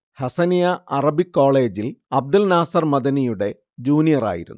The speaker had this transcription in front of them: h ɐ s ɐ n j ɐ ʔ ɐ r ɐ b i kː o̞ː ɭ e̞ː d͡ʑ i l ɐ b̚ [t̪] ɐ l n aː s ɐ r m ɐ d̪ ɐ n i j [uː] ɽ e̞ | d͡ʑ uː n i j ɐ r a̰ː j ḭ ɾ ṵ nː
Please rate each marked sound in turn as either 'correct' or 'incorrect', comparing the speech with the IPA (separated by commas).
incorrect, incorrect